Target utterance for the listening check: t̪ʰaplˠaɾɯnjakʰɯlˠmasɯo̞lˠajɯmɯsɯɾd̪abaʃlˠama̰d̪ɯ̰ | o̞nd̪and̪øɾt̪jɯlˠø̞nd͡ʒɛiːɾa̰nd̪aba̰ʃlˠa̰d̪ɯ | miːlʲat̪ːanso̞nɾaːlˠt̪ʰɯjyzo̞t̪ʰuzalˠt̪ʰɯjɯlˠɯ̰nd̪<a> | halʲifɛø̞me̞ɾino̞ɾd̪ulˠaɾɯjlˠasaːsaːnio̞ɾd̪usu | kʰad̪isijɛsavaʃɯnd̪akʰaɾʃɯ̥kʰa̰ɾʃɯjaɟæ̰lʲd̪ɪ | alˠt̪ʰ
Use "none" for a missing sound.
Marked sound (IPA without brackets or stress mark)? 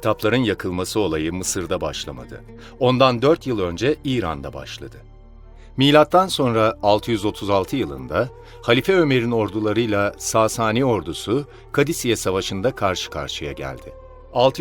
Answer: a